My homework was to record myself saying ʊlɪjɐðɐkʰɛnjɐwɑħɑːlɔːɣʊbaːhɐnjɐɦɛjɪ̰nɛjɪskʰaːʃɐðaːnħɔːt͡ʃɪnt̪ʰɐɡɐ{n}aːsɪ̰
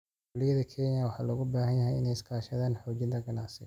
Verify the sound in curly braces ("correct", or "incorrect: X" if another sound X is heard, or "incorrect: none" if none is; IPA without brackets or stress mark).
correct